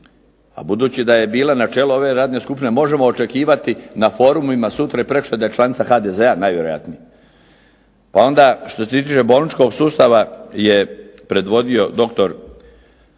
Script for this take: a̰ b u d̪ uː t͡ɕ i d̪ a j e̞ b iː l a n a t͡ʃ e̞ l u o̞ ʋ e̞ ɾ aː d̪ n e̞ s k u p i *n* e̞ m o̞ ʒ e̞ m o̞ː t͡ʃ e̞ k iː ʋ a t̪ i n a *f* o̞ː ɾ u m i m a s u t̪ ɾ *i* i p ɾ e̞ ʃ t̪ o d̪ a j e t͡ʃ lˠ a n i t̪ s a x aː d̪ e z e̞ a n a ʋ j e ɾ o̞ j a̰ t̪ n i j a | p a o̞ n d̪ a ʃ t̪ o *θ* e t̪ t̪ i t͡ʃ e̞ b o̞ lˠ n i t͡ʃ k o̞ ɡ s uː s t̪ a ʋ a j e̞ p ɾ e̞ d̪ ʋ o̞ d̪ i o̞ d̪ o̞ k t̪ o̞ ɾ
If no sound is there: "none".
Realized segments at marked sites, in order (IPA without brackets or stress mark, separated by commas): n, f, a, s